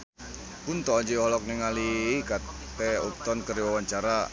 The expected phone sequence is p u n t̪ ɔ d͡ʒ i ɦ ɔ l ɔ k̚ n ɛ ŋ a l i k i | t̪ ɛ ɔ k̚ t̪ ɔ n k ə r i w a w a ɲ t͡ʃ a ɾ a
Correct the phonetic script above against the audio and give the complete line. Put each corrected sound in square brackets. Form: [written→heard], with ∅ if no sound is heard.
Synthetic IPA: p u n t̪ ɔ d͡ʒ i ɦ ɔ l ɔ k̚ n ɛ ŋ a l i k [i→a] | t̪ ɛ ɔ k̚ t̪ ɔ n k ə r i w a w a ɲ t͡ʃ a ɾ a